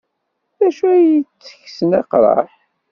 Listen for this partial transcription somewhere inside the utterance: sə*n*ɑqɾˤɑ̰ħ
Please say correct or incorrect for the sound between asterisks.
correct